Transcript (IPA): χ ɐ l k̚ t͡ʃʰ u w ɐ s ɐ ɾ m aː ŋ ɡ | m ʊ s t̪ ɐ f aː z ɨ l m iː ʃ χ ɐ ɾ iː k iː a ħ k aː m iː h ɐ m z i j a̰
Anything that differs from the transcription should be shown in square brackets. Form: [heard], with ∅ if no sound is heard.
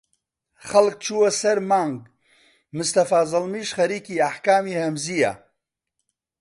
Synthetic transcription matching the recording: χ ɐ l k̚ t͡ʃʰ u w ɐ s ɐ ɾ m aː ŋ ɡ | m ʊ s t̪ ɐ f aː z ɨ l m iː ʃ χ ɐ ɾ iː k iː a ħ k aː m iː h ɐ m z i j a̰